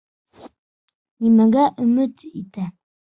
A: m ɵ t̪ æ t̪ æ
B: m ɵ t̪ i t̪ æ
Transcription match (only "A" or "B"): B